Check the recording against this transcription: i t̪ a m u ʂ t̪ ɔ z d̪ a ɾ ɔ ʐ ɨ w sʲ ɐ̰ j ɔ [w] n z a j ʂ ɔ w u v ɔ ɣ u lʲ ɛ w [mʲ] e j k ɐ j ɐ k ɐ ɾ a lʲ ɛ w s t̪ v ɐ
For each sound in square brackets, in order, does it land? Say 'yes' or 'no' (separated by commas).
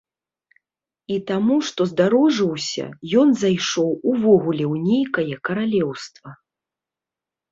no, no